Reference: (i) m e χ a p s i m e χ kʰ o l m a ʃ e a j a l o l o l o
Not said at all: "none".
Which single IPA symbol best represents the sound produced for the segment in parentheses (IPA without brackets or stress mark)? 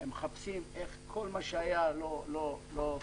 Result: e